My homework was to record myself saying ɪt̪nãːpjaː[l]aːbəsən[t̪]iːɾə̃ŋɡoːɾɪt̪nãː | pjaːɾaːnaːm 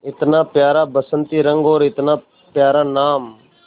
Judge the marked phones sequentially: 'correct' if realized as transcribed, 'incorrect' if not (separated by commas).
incorrect, correct